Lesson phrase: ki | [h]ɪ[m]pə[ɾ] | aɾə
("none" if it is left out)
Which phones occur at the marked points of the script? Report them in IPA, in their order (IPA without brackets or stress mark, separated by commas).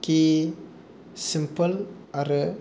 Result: s, m, l